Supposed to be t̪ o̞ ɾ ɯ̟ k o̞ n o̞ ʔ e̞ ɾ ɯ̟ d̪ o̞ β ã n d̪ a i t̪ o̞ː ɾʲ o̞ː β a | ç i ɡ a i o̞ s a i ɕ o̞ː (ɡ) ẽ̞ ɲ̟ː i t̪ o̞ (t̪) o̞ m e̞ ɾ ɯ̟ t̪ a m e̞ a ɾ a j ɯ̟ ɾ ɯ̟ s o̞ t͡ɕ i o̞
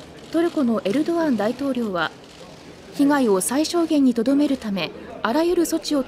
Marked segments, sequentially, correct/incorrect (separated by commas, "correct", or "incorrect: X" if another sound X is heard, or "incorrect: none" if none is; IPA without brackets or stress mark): correct, incorrect: d̪